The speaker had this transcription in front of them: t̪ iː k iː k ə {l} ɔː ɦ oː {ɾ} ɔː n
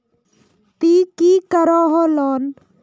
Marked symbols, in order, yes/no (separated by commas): no, no